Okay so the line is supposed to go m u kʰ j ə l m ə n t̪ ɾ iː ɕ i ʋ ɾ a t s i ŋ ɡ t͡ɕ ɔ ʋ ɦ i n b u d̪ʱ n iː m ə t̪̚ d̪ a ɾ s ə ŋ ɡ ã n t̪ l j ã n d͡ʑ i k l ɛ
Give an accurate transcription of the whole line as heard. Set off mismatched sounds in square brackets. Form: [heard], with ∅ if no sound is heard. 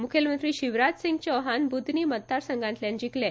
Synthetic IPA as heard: m u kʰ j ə l m ə n t̪ ɾ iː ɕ i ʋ ɾ a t s i ŋ ɡ t͡ɕ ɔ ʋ ɦ [a] n b u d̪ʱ n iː m ə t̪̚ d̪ a ɾ s ə ŋ ɡ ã n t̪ l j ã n d͡ʑ i k l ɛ